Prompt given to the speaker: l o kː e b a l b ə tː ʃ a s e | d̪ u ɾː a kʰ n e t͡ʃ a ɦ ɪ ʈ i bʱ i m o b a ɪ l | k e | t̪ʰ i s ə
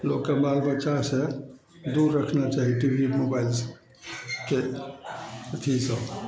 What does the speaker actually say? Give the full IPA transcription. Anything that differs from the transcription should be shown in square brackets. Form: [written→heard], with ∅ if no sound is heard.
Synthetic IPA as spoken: l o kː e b a l b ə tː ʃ a s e | d̪ u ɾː [a→ə] kʰ n [e→a] t͡ʃ a ɦ [ɪ→i] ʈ i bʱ i m o b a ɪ l | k e | t̪ʰ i s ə